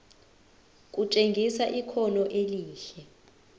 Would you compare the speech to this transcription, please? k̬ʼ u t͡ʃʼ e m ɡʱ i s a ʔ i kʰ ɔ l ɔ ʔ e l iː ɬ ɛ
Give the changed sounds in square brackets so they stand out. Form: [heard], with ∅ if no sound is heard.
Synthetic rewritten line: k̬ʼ u t͡ʃʼ e [ŋ] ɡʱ i s a ʔ i kʰ ɔ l ɔ ʔ e l iː ɬ ɛ